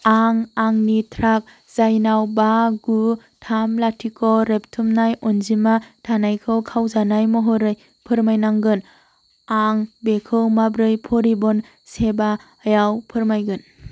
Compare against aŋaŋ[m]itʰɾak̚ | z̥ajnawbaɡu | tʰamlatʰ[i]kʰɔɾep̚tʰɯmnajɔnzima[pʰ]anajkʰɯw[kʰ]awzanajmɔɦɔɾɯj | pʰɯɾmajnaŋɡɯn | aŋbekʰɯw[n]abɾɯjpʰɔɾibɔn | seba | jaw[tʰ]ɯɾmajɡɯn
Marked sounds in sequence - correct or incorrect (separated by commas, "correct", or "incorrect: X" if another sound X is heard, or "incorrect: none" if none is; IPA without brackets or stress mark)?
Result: incorrect: n, correct, incorrect: tʰ, correct, incorrect: m, incorrect: pʰ